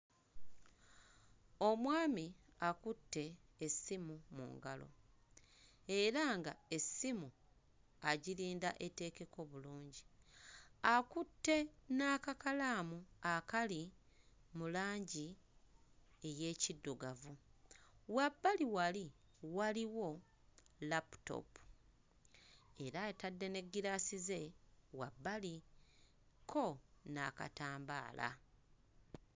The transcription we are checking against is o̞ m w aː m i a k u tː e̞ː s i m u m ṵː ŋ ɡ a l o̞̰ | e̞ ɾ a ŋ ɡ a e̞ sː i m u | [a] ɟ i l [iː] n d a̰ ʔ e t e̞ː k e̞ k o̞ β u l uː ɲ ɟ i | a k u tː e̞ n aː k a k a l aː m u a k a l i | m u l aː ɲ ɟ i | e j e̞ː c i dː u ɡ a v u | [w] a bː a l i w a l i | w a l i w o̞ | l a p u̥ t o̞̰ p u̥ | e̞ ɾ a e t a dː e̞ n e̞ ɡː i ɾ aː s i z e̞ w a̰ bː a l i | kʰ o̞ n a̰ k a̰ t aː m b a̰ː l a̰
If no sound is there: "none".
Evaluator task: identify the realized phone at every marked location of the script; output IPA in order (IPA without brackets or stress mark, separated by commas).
a, iː, w